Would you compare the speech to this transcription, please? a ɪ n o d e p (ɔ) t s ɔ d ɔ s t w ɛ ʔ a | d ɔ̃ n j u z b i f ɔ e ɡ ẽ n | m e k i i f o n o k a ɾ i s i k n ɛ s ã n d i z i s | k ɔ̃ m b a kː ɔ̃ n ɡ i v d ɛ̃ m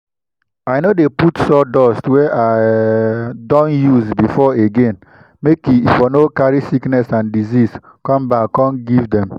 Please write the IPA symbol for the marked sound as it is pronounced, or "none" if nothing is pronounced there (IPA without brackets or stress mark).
u